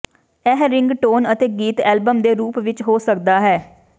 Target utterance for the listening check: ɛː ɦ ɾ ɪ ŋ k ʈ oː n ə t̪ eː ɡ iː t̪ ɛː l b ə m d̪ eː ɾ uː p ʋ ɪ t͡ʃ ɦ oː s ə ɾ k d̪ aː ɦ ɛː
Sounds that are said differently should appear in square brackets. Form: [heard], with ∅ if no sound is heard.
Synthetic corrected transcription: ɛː ɦ ɾ ɪ ŋ [ɡ] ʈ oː n ə t̪ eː ɡ iː t̪ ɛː l b ə m d̪ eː ɾ uː p ʋ ɪ t͡ʃ ɦ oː s ə [∅] k d̪ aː ɦ ɛː